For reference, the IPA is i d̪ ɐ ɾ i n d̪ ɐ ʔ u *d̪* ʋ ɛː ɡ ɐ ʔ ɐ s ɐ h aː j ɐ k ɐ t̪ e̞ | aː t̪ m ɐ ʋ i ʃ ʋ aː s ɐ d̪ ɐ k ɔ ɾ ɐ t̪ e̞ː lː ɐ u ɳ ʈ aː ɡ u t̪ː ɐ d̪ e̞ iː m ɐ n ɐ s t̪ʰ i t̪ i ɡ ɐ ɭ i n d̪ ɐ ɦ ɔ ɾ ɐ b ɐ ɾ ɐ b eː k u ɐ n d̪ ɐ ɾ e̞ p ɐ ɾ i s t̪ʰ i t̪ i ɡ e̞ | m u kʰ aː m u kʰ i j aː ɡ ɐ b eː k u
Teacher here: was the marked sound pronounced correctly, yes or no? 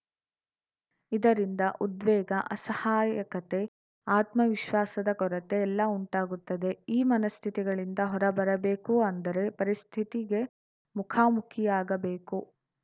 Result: yes